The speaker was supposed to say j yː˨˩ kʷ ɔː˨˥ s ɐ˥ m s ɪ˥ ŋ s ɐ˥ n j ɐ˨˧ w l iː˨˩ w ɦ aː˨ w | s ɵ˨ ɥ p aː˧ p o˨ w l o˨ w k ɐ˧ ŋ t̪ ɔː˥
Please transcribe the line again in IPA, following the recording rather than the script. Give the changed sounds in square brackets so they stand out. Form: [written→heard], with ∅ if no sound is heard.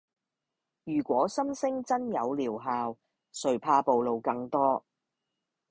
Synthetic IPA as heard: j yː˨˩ kʷ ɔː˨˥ s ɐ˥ m s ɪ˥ ŋ [s→t͡s] ɐ˥ n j ɐ˨˧ w l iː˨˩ w ɦ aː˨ w | s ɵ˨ ɥ [p→pʰ] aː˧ p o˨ w l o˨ w k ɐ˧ ŋ t̪ ɔː˥